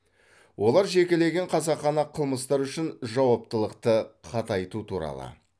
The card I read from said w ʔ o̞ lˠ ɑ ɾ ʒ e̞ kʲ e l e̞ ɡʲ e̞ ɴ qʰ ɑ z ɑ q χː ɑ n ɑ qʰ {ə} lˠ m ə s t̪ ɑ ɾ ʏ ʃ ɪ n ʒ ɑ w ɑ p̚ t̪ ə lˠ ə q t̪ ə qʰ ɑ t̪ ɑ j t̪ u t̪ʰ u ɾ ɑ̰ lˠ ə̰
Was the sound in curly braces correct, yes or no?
yes